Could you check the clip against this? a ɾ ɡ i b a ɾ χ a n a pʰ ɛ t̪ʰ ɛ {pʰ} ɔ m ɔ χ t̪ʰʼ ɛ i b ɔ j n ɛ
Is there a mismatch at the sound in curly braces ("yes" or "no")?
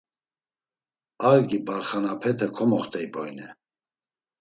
yes